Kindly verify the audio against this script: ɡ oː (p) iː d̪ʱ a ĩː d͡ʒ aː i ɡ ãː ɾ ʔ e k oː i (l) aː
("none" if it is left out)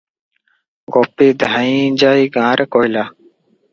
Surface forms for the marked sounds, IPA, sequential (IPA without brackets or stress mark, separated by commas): p, l